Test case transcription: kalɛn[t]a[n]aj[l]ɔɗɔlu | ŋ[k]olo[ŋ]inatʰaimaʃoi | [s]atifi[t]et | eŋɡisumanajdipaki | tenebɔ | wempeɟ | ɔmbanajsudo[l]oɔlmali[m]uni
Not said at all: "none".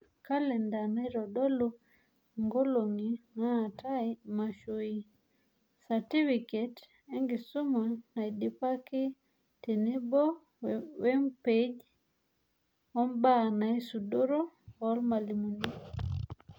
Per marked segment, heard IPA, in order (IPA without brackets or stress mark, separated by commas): d, n, ɾ, ɡ, ŋ, s, k, ɾ, m